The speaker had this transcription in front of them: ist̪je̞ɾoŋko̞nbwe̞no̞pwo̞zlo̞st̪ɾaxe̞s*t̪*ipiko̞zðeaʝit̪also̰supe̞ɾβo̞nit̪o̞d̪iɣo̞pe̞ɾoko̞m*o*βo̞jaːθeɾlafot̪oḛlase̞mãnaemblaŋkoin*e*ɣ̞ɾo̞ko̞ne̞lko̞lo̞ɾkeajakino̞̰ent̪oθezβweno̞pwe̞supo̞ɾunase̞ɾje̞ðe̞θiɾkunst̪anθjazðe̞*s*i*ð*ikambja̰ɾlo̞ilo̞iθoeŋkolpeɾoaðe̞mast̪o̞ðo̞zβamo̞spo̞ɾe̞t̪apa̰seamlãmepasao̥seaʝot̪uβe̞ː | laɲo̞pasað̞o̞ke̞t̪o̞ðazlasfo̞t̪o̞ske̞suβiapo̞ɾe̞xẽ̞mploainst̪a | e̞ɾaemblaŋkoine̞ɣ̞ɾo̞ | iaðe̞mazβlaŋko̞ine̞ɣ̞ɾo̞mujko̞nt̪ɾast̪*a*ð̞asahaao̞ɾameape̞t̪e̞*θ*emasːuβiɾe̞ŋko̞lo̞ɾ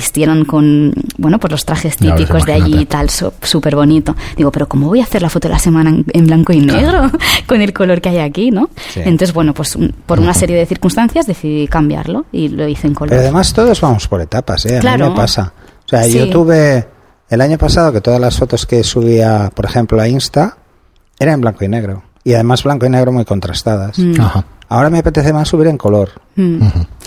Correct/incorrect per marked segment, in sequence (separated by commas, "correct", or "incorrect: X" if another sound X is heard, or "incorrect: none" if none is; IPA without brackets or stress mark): correct, correct, correct, incorrect: θ, correct, correct, correct